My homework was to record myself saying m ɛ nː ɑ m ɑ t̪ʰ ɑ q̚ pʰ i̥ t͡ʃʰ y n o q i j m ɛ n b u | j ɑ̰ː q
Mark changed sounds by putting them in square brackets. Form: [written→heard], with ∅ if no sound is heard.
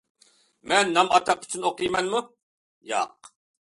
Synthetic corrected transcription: m ɛ nː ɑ m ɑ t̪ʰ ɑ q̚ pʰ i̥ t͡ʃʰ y n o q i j m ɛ n [b→m] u | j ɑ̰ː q